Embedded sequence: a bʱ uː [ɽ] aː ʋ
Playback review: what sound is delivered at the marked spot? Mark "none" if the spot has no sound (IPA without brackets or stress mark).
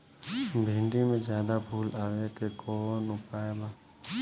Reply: l